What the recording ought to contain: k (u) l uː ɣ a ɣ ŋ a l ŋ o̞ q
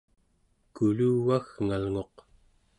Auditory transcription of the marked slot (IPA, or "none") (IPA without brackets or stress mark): u